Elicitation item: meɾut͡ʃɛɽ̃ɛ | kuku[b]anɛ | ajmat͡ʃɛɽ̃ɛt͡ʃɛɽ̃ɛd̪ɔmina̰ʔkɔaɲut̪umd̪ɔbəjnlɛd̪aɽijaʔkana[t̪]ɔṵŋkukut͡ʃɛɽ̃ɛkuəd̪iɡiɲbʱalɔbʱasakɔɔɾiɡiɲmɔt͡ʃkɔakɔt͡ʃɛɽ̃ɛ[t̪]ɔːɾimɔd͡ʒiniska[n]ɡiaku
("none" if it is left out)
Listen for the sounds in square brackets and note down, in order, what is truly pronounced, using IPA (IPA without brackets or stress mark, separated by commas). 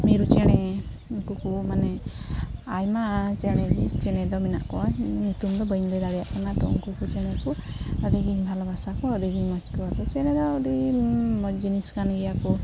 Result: m, t̪, d̪, n